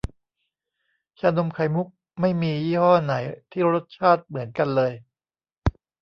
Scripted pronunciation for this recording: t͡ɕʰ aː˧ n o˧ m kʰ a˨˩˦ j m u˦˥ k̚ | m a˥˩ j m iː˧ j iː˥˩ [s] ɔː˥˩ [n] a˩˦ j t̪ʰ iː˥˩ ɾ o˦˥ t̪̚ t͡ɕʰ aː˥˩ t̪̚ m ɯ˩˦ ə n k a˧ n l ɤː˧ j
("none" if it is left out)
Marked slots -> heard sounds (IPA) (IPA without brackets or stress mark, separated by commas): h, n